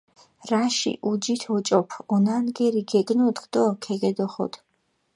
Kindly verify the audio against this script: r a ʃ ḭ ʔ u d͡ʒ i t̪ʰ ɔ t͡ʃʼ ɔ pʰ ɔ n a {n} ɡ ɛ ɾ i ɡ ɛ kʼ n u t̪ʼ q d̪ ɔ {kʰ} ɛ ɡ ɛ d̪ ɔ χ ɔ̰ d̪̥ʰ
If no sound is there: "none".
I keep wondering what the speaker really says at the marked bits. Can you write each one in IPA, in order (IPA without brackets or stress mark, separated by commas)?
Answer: n, kʰ